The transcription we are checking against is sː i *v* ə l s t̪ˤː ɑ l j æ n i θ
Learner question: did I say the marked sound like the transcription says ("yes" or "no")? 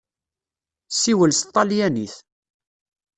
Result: no